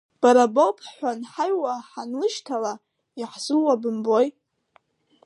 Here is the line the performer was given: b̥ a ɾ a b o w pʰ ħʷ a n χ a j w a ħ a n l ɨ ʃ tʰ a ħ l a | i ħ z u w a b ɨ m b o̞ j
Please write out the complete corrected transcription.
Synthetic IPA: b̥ a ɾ a b o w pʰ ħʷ a n ħ a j w a ħ a n l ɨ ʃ tʰ a l a | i ħ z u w a b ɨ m b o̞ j